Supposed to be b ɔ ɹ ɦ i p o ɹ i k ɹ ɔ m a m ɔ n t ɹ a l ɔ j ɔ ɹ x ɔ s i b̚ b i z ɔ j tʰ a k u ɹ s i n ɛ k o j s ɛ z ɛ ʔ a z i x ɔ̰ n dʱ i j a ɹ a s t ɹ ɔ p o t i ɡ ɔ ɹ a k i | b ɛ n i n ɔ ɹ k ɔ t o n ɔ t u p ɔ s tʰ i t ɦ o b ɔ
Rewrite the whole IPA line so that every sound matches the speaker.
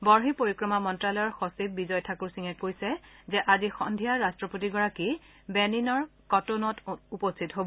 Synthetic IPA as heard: b ɔ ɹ ɦ i p o ɹ i k ɹ ɔ m a m ɔ n t ɹ a l ɔ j ɔ ɹ x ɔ s i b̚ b i z ɔ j tʰ a k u ɹ s i ŋ ɛ k o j s ɛ z ɛ ʔ a z i x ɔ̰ n dʱ i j a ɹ a s t ɹ ɔ p o t i ɡ ɔ ɹ a k i | b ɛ n i n ɔ ɹ k ɔ t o n ɔ t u p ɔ s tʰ i t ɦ o b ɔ